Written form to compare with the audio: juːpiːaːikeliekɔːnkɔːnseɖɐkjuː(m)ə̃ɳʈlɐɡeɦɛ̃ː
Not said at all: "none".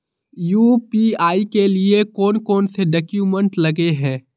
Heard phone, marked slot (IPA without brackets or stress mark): m